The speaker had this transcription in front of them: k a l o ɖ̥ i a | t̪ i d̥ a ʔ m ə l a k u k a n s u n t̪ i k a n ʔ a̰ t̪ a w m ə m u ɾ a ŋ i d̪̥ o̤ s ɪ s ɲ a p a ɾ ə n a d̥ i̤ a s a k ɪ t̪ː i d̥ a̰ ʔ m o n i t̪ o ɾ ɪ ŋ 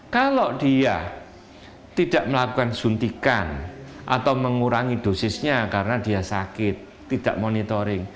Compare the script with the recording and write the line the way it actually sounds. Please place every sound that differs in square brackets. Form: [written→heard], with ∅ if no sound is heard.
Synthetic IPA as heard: k a l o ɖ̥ i a | t̪ i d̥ a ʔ m ə l a k u k a n s u n t̪ i k a n ʔ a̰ t̪ a w m ə [m→ŋ] u ɾ a ŋ i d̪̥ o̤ s ɪ s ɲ a [p→k] a ɾ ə n a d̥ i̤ a s a k ɪ t̪ː i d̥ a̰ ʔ m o n i t̪ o ɾ ɪ ŋ